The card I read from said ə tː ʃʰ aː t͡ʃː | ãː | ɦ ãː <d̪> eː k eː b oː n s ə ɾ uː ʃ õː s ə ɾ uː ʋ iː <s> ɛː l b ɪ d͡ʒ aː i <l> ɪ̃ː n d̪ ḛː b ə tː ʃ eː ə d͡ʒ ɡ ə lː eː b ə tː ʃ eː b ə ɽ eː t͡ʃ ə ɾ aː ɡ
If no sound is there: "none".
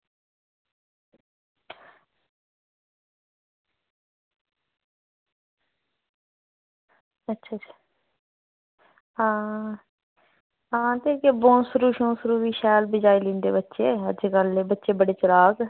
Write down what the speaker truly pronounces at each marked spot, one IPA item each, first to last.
t̪, ʃ, l

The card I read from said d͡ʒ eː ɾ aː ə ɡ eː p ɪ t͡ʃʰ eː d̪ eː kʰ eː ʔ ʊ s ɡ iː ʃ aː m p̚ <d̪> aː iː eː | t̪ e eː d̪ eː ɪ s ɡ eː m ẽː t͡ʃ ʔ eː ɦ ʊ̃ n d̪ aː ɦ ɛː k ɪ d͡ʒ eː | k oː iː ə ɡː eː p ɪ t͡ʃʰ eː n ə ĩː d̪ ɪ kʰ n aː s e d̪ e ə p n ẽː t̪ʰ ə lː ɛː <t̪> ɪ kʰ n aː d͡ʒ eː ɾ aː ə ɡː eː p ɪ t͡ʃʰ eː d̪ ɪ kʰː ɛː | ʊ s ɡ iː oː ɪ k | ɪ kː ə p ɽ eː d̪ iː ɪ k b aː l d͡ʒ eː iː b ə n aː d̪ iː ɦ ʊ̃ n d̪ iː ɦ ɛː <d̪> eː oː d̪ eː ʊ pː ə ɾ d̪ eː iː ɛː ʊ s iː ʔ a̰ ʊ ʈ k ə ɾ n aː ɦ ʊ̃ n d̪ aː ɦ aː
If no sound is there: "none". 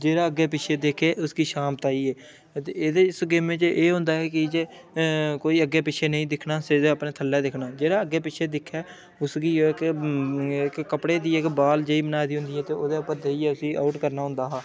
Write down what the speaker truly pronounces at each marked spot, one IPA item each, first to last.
t̪, d̪, t̪

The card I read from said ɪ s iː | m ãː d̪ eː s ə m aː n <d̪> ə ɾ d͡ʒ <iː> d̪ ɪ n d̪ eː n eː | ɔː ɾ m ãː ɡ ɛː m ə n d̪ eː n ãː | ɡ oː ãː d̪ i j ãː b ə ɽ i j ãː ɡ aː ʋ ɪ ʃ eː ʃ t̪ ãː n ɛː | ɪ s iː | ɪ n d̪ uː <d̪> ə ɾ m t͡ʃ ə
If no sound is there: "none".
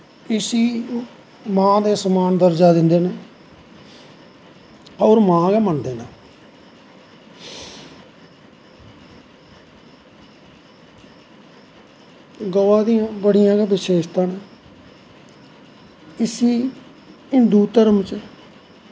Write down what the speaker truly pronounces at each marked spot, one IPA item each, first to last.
d̪, aː, t̪

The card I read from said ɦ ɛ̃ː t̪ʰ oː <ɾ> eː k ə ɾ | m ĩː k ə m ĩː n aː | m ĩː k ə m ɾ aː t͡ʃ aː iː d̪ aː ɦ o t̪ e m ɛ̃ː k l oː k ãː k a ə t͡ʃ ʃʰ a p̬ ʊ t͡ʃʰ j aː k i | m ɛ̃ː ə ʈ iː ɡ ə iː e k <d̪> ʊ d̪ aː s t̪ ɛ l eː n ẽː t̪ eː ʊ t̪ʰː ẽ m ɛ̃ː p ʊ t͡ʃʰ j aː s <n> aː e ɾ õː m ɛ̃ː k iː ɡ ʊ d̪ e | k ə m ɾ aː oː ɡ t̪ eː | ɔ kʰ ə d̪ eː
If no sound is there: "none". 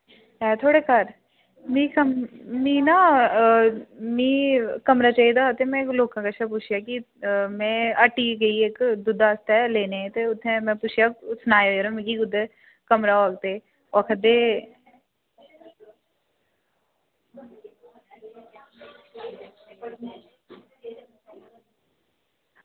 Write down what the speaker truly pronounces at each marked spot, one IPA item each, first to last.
ɽ, d̪, n

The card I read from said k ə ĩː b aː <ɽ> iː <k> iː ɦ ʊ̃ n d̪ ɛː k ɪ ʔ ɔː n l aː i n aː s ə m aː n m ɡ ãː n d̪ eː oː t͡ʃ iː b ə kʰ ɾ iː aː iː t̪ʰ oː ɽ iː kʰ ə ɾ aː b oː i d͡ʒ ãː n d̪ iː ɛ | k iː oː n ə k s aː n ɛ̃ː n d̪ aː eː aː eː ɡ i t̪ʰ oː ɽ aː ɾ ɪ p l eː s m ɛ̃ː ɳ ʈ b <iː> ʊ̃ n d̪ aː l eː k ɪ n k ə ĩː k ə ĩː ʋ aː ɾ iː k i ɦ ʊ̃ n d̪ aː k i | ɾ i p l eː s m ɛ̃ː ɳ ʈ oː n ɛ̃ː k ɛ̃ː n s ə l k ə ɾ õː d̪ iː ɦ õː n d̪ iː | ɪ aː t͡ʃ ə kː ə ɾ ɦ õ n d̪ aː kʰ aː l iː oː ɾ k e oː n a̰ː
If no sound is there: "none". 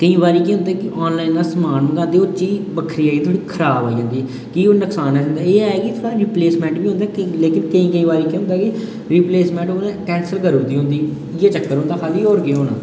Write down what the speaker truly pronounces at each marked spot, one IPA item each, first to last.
ɾ, k, iː

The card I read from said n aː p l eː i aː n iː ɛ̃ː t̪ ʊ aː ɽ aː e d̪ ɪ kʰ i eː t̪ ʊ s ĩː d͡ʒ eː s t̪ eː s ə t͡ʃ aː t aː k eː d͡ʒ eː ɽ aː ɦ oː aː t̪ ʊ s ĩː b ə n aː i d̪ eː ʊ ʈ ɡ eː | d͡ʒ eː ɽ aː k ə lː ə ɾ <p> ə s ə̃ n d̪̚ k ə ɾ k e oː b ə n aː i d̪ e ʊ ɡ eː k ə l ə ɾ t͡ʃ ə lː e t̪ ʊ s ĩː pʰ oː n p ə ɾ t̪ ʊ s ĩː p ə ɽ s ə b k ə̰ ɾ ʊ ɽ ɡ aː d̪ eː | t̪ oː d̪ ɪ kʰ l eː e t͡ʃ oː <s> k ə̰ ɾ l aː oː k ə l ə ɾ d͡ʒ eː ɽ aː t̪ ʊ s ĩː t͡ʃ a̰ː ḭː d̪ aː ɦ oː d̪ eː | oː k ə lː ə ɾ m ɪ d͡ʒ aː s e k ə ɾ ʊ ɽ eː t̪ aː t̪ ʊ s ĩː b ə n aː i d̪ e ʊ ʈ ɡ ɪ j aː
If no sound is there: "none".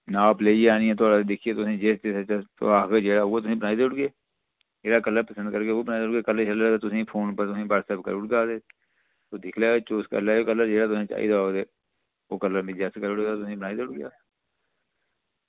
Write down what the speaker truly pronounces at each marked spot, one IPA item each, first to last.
p, s

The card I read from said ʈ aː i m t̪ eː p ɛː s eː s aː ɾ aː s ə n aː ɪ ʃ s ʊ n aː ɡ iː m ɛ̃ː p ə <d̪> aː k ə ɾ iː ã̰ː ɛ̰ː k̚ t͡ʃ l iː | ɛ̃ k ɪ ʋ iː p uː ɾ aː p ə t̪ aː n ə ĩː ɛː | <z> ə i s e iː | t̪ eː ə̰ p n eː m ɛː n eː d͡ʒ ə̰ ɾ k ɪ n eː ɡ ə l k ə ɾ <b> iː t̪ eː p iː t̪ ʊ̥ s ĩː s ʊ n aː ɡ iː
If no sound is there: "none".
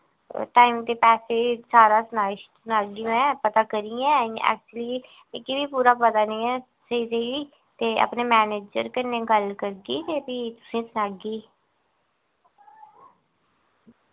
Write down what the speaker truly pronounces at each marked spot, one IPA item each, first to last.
t̪, s, ɡ

